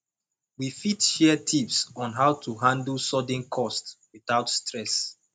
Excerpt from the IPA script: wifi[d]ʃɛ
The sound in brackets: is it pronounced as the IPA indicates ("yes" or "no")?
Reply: no